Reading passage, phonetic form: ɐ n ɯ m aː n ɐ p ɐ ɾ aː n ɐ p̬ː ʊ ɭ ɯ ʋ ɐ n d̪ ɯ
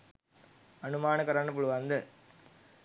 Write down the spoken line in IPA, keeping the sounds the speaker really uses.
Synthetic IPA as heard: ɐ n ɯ m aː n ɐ k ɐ ɾ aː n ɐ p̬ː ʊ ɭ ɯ ʋ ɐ n d̪ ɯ